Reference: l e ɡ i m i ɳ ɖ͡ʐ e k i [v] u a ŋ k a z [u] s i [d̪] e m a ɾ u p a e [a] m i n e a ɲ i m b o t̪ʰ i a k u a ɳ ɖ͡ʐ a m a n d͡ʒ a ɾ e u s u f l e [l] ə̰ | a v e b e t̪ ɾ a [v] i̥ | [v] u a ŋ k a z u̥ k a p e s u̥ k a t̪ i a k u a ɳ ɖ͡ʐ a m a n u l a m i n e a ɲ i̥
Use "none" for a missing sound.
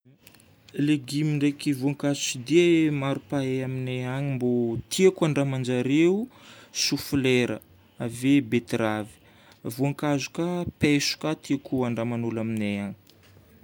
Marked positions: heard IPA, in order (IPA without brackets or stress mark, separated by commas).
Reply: v, u, d̪, a, ɾ, v, v